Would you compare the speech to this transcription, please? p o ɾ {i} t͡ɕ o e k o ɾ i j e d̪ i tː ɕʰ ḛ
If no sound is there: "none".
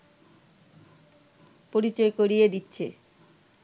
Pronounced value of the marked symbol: i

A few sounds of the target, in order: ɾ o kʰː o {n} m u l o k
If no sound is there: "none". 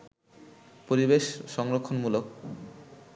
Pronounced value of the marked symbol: n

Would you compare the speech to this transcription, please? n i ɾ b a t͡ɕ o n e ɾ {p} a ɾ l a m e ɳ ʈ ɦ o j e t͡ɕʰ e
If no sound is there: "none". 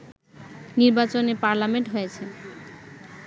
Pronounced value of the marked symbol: p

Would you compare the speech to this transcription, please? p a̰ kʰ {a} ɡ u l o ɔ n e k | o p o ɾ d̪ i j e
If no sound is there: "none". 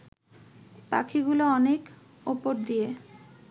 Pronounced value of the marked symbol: i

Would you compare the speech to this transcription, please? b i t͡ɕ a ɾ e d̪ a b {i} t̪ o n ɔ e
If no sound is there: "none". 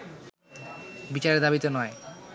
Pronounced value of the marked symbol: i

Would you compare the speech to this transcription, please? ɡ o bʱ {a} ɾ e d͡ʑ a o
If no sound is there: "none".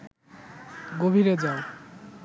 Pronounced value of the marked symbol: i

